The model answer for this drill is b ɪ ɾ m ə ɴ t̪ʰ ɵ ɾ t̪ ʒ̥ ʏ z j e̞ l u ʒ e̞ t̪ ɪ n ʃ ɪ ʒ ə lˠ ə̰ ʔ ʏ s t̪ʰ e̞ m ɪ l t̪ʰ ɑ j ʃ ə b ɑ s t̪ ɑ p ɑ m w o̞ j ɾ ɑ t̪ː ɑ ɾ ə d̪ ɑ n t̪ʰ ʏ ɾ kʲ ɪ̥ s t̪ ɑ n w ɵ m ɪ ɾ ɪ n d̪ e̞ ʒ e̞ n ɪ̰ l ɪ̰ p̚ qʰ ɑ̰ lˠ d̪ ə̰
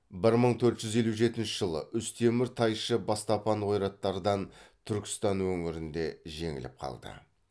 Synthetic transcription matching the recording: b ɪ ɾ m ə ɴ t̪ʰ ɵ ɾ t̪ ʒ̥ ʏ z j e̞ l u ʒ e̞ t̪ ɪ n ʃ ɪ ʒ ə lˠ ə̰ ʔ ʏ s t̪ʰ e̞ m ɪ ɾ t̪ʰ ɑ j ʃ ə b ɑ s t̪ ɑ p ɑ n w o̞ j ɾ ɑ t̪ː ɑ ɾ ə d̪ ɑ n t̪ʰ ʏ ɾ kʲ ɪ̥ s t̪ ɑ n w ɵ ŋ ɪ ɾ ɪ n d̪ e̞ ʒ e̞ ŋ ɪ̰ l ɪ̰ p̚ qʰ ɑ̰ lˠ d̪ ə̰